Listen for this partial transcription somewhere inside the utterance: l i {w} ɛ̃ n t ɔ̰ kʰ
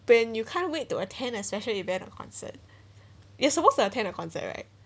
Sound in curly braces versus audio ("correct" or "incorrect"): incorrect